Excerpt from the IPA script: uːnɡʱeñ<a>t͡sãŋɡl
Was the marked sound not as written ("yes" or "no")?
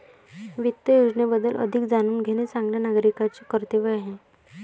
yes